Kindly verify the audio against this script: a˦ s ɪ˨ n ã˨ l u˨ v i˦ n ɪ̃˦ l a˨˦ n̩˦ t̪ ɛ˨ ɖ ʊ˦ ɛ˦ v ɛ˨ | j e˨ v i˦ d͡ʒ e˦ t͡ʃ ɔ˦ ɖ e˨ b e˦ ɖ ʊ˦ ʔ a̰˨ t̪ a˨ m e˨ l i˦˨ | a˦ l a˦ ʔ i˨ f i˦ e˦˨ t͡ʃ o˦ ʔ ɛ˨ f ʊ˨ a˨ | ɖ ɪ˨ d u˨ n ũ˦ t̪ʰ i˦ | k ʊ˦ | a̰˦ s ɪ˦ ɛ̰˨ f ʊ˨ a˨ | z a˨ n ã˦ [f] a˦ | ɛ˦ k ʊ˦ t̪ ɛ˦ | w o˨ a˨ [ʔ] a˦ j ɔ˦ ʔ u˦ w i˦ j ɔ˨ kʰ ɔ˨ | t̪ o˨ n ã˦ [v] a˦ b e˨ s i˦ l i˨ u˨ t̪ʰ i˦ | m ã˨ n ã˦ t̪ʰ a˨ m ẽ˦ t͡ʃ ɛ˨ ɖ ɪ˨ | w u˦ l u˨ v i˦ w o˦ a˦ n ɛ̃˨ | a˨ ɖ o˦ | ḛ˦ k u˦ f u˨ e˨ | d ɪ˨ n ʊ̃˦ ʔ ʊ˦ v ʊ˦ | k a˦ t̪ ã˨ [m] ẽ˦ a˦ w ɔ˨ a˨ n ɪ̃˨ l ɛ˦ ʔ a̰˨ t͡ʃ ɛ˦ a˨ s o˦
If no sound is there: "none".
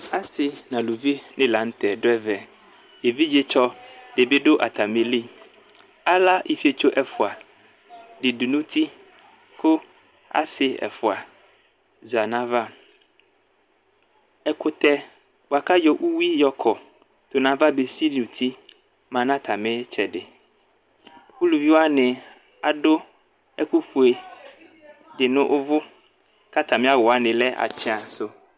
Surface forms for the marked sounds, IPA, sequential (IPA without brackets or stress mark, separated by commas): v, k, v, m